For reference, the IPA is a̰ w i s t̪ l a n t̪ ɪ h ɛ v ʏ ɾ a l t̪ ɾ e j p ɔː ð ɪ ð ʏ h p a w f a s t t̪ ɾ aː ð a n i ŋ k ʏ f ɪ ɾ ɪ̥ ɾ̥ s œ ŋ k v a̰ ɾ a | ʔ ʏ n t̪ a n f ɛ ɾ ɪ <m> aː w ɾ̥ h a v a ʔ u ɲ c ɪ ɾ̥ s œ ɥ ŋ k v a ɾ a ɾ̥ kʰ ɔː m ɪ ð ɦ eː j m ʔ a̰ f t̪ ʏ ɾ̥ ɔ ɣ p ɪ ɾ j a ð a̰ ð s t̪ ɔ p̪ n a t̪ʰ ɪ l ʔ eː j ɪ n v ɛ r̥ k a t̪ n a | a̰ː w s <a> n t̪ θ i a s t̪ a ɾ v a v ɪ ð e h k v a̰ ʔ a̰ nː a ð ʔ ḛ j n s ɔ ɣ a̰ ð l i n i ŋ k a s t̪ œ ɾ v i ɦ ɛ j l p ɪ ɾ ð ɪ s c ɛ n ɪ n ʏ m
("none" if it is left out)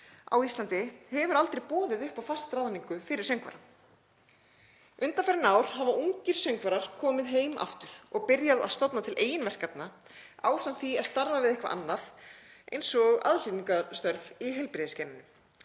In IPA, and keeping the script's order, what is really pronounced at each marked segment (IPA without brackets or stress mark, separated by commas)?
n, a